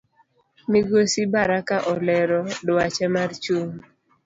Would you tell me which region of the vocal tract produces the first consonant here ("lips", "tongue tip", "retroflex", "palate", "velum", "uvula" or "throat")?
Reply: lips